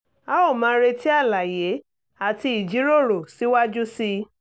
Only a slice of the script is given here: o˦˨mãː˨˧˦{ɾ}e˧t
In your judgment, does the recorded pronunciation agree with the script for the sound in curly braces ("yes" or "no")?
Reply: yes